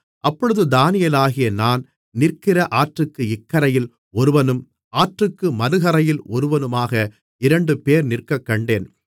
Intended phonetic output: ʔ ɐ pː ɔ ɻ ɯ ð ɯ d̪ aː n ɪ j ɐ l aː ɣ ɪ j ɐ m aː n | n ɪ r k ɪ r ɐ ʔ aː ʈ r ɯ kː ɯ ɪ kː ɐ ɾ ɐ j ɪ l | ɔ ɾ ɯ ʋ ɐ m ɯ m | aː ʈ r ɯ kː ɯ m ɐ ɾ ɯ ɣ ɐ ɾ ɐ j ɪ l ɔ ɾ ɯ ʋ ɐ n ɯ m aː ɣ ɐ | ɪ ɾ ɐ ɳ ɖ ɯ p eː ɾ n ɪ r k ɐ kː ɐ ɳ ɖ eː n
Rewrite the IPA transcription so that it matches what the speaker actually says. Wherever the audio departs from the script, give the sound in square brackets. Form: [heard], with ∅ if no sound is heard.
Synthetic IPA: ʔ ɐ pː ɔ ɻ ɯ ð ɯ d̪ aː n ɪ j ɐ l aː ɣ ɪ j ɐ [n] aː n | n ɪ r k ɪ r ɐ ʔ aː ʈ r ɯ kː ɯ ɪ kː ɐ ɾ ɐ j ɪ l | ɔ ɾ ɯ ʋ ɐ [n] ɯ m | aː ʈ r ɯ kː ɯ m ɐ ɾ ɯ ɣ ɐ ɾ ɐ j ɪ l ɔ ɾ ɯ ʋ ɐ n ɯ m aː ɣ ɐ | ɪ ɾ ɐ ɳ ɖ ɯ p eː ɾ n ɪ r k ɐ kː ɐ ɳ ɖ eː n